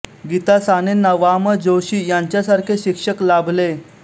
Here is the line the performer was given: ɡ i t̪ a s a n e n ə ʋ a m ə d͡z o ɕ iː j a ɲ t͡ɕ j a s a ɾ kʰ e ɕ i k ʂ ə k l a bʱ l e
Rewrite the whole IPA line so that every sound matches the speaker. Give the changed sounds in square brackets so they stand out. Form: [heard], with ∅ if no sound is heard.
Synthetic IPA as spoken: ɡ i t̪ a s a n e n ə ʋ a m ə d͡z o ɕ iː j a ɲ t͡ɕ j a s a ɾ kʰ e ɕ i k ʂ ə k l a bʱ l e